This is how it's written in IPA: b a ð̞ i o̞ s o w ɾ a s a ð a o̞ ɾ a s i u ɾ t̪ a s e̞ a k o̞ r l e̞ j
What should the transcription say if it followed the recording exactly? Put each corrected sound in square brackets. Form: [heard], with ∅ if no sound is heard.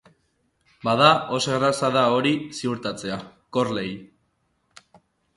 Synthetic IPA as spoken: b a ð̞ [a] o̞ s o [ɣ] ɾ a s a ð a o̞ ɾ [i] s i u ɾ t̪ a [t͡s] e̞ a k o̞ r l e̞ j

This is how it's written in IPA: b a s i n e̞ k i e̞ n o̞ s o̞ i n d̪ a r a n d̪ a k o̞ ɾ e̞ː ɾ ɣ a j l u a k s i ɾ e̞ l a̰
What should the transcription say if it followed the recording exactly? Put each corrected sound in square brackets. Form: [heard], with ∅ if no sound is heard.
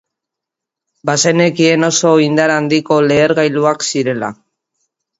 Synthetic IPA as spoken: b a s [e] n e̞ k i e̞ n o̞ s o̞ i n d̪ a [ɾ] a n d̪ [i] k o̞ [l] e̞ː ɾ ɣ a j l u a k s i ɾ e̞ l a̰

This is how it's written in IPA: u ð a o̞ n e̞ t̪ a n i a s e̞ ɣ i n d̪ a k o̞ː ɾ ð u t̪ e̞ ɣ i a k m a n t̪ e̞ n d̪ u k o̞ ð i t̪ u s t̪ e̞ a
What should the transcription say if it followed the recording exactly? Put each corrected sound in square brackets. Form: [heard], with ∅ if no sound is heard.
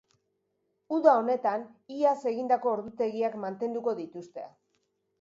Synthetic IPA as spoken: u ð a o̞ n e̞ t̪ a n i a s e̞ ɣ i n d̪ a k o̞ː ɾ ð u t̪ e̞ ɣ i a k m a n t̪ e̞ n d̪ u k o̞ ð i t̪ u s t̪ e̞ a

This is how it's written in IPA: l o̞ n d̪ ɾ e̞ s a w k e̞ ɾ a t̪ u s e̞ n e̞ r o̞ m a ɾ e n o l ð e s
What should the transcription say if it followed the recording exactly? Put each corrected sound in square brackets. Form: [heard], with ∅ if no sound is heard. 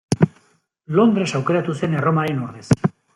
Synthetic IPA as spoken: l o̞ n d̪ ɾ e̞ s a w k e̞ ɾ a t̪ u s e̞ n e̞ r o̞ m a ɾ e n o [ɾ] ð e s

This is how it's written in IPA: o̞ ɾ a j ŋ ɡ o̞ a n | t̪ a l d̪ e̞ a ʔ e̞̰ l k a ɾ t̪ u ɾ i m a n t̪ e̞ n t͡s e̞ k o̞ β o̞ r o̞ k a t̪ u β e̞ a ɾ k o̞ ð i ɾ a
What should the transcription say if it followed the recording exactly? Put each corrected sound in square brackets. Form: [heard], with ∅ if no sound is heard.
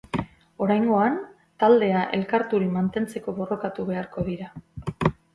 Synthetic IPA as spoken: o̞ ɾ a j ŋ ɡ o̞ a n | t̪ a l d̪ e̞ a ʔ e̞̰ l k a ɾ t̪ u ɾ i m a n t̪ e̞ n t͡s e̞ k o̞ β o̞ r o̞ k a t̪ u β e̞ a ɾ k o̞ ð i ɾ a

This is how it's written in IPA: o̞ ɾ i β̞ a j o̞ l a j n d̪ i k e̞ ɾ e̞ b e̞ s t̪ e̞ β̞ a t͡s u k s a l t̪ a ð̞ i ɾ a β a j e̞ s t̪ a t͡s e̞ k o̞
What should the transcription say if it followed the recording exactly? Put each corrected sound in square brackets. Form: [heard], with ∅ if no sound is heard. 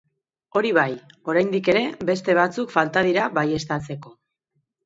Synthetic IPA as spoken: o̞ ɾ i β̞ a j o̞ [ɾ] a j n d̪ i k e̞ ɾ e̞ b e̞ s t̪ e̞ β̞ a t͡s u k [f] a l t̪ a ð̞ i ɾ a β a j e̞ s t̪ a t͡s e̞ k o̞

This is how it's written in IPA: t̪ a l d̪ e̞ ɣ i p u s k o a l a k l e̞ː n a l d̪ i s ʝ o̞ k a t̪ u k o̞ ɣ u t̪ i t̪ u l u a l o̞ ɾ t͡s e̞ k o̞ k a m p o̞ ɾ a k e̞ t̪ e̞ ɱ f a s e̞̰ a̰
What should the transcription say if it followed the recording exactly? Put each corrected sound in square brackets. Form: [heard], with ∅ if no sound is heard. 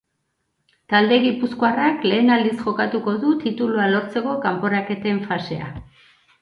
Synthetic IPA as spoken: t̪ a l d̪ e̞ ɣ i p u s k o a [r] a k l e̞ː n a l d̪ i s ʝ o̞ k a t̪ u k o̞ [ð] u t̪ i t̪ u l u a l o̞ ɾ t͡s e̞ k o̞ k a m p o̞ ɾ a k e̞ t̪ e̞ ɱ f a s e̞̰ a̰

